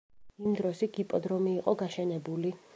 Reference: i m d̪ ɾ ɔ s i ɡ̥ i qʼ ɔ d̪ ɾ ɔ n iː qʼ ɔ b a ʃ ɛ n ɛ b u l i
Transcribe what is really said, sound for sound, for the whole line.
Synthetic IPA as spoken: i m d̪ ɾ ɔ s i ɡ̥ i pʼ ɔ d̪ ɾ ɔ m iː qʼ ɔ ɡ a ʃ ɛ n ɛ b u l i